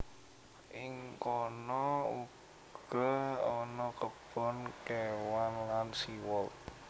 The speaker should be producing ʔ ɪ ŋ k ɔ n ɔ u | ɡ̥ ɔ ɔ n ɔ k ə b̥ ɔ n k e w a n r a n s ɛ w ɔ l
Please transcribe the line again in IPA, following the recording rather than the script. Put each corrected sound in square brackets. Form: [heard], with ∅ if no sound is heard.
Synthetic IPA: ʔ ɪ ŋ k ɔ n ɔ u | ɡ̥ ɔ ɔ n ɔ k ə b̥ ɔ n k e w a n [l] a n s [i] w ɔ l

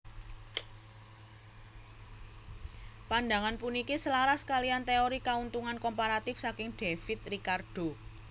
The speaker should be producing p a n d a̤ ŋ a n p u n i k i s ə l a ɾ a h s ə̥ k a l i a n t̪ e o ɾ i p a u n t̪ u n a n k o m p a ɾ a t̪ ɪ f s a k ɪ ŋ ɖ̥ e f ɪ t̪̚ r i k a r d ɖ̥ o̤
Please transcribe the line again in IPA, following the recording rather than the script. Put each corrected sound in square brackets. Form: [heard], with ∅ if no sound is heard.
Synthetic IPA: p a n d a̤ ŋ a n p u n i k i s ə l a ɾ a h s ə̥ k a l i a n t̪ e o ɾ i [k] a u n t̪ u [ŋ] a n k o m p a ɾ a t̪ ɪ f s a k ɪ ŋ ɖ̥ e f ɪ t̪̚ r i k a r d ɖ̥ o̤

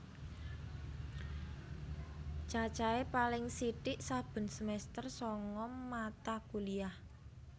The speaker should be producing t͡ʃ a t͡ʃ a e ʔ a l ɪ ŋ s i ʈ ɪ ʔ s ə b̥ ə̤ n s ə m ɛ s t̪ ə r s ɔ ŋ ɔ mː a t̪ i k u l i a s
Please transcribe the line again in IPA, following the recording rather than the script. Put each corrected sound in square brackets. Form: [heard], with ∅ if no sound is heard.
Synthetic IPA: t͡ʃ a t͡ʃ a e [p] a l ɪ ŋ s i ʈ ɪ ʔ s [a] b̥ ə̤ n s ə m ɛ s t̪ ə r s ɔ ŋ ɔ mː a t̪ [a] k u l i a [h]

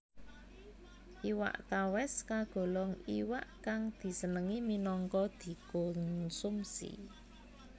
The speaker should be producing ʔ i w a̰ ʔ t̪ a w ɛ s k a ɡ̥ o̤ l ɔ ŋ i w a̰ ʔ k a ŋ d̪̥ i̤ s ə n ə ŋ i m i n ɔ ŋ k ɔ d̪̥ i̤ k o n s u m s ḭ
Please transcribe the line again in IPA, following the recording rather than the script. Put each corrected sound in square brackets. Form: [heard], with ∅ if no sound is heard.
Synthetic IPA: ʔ i w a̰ ʔ t̪ a w ɛ s k a ɡ̥ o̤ l ɔ ŋ i w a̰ ʔ k a ŋ d̪̥ i̤ s ə n ə ŋ i m i n ɔ ŋ k ɔ d̪̥ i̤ k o n s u m s ḭ

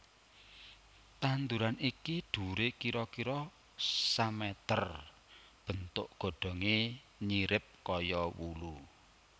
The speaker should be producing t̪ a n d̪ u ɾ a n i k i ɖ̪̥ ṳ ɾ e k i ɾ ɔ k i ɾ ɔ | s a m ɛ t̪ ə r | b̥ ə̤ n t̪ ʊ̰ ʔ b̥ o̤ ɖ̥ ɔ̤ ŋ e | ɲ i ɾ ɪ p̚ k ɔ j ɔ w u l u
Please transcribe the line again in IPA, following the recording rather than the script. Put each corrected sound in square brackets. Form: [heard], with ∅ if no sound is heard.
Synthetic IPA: t̪ a n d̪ u ɾ a n i k i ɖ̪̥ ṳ ɾ e k i ɾ ɔ k i ɾ ɔ | s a m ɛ t̪ ə r | b̥ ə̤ n t̪ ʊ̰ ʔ [ɡ̥] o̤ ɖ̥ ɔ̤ ŋ e | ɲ i ɾ ɪ p̚ k ɔ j ɔ w u l u

